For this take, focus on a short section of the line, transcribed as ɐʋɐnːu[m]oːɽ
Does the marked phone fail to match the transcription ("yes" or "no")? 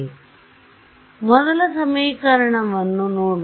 yes